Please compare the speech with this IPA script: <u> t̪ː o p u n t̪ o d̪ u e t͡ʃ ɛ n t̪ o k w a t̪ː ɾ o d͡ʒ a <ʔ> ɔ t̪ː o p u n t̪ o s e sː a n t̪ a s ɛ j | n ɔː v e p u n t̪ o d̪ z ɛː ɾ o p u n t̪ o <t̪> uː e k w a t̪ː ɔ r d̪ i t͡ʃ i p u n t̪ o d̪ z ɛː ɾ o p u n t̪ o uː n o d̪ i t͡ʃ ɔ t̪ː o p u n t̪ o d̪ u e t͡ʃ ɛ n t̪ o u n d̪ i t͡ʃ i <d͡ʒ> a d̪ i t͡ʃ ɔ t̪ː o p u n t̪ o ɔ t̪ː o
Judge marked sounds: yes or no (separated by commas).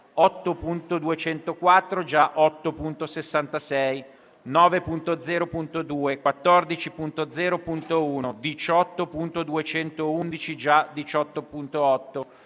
no, yes, no, yes